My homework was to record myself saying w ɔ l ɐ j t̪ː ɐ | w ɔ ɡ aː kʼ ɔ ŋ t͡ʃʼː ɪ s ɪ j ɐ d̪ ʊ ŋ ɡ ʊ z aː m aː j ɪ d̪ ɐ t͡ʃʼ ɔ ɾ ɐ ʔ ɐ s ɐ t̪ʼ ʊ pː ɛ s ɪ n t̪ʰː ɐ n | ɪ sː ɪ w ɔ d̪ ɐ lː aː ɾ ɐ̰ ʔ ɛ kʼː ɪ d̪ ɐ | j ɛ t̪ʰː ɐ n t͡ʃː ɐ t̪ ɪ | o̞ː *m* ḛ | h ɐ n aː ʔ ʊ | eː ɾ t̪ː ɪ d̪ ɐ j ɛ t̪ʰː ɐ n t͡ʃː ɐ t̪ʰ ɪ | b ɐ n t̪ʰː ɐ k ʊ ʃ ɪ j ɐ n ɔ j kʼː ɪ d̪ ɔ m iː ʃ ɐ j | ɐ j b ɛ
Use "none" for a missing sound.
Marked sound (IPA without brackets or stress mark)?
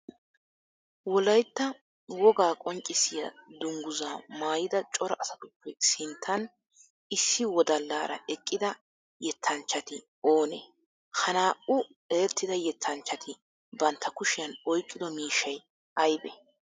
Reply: n